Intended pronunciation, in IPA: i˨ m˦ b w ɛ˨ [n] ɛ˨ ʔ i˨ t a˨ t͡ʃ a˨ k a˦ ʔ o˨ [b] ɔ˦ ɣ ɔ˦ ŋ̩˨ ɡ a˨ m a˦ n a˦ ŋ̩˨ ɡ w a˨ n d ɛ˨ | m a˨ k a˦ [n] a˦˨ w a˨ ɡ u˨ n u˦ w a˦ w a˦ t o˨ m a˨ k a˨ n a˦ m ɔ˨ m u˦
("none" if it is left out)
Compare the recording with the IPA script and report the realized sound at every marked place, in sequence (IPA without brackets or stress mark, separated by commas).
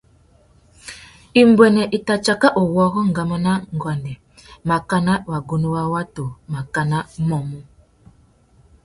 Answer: n, w, n